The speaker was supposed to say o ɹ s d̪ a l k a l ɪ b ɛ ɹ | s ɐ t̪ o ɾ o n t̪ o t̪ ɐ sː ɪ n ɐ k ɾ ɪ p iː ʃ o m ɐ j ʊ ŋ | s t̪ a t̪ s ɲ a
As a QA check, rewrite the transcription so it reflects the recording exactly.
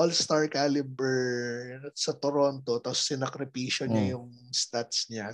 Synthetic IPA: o l s t̪ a ɹ k a l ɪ b ɛ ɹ | s ɐ t̪ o ɾ o n t̪ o t̪ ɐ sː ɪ n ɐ k ɾ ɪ p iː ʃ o ɲ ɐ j ʊ ŋ | s t̪ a t̪ s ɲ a